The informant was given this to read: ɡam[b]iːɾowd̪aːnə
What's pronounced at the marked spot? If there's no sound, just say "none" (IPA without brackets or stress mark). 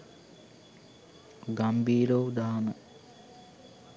b